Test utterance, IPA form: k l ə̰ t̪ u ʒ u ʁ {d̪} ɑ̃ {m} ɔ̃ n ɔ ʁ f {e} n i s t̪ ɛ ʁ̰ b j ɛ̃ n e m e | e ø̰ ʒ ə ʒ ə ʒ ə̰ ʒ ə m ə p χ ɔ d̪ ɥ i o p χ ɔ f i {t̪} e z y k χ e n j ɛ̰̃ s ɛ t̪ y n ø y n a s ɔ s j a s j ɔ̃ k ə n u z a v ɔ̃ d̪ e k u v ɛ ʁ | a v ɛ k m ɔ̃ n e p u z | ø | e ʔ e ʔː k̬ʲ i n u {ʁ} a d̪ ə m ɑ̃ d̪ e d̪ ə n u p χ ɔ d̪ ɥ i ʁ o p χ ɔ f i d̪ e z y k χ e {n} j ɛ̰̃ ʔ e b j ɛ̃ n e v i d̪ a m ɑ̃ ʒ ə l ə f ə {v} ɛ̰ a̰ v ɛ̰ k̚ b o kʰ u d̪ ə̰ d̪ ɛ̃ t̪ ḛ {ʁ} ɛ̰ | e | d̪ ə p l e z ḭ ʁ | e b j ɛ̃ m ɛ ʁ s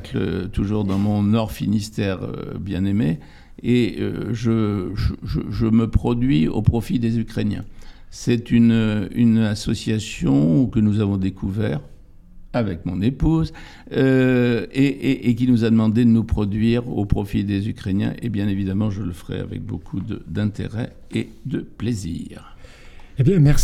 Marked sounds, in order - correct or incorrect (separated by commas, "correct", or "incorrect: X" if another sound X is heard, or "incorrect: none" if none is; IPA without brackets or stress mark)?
correct, correct, incorrect: i, incorrect: d̪, incorrect: z, correct, incorrect: ʁ, correct